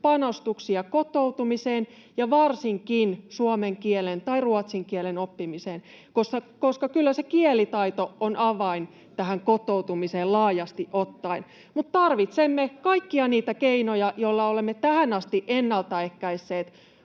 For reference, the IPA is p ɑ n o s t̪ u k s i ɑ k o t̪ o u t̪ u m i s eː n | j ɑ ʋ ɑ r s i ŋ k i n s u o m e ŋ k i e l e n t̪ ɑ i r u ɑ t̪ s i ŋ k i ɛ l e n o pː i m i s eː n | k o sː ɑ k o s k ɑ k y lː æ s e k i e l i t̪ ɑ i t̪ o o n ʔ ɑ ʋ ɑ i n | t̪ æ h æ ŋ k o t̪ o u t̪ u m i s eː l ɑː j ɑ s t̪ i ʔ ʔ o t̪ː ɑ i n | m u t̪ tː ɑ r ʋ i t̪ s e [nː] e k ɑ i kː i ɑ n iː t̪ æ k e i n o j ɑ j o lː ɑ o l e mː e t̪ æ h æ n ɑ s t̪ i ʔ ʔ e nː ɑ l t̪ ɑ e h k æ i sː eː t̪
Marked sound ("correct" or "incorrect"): incorrect